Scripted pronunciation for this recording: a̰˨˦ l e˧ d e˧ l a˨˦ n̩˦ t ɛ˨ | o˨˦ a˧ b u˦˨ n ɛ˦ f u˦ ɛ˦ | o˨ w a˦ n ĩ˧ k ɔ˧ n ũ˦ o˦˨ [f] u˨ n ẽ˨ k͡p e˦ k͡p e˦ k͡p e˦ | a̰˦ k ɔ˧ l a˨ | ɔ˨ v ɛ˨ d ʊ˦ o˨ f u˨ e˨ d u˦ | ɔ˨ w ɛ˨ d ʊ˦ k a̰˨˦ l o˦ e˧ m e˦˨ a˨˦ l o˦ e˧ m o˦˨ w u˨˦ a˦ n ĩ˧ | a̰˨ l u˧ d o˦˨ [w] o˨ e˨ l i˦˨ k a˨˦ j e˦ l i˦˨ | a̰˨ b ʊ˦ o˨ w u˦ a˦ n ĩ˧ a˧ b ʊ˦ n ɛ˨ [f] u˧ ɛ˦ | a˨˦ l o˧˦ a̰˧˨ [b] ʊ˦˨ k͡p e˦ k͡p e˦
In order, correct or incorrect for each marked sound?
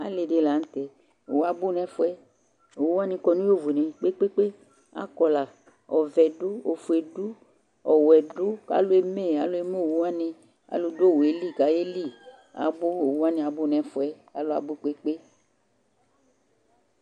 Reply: incorrect: v, correct, correct, correct

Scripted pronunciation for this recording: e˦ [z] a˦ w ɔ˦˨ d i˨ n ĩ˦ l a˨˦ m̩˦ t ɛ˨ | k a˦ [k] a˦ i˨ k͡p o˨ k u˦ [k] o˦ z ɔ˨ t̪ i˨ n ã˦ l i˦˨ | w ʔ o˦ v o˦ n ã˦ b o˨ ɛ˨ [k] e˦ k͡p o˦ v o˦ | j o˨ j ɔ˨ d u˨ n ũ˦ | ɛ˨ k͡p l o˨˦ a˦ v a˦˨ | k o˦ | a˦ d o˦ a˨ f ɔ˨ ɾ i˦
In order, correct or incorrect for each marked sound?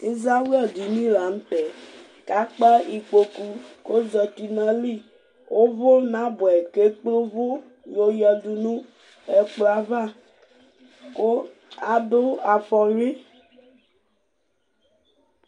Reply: correct, incorrect: k͡p, correct, correct

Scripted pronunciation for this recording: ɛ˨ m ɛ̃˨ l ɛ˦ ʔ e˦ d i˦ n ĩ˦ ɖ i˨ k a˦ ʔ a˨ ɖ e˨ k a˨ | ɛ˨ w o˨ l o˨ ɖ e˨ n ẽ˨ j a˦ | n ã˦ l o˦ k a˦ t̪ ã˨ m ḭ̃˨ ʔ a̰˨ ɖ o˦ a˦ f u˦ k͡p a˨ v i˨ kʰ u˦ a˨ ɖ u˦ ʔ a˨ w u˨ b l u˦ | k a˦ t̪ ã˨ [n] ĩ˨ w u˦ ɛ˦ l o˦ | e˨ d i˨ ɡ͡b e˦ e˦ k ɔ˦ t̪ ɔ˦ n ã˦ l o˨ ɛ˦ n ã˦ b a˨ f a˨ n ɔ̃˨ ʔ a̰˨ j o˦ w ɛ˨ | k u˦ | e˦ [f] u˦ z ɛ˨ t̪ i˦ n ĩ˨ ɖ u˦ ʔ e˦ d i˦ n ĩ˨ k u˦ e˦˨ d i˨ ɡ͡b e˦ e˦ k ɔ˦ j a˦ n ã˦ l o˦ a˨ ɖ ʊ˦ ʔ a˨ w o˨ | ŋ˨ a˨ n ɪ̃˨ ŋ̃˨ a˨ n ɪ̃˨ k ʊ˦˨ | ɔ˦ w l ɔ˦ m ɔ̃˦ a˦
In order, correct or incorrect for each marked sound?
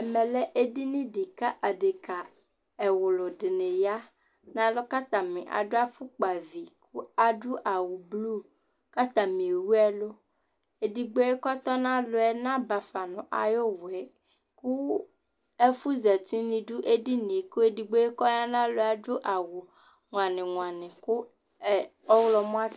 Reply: incorrect: m, correct

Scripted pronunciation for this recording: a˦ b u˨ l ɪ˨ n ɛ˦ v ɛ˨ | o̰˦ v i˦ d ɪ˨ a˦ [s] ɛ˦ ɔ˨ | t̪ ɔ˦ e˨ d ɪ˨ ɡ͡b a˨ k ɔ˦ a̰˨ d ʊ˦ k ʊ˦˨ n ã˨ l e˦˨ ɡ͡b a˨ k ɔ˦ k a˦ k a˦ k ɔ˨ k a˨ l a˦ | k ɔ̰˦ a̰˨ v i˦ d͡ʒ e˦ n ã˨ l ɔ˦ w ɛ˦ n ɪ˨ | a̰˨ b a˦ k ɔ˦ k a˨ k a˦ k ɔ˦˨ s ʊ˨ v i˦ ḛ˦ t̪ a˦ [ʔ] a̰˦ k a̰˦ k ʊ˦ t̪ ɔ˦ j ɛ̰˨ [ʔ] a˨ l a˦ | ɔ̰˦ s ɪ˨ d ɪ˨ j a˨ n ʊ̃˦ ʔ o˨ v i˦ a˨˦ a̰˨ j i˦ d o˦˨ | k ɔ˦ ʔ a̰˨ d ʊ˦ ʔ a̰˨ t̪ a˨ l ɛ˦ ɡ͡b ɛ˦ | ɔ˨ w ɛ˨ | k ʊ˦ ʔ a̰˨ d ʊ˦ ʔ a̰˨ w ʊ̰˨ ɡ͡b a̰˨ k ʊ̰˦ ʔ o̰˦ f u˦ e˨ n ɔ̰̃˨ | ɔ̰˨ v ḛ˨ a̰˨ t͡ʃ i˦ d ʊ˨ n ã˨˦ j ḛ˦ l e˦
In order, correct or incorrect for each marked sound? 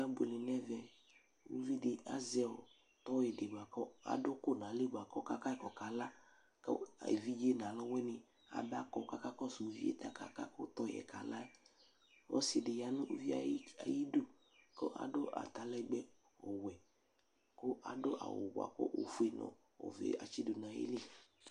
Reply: incorrect: z, incorrect: k, incorrect: k

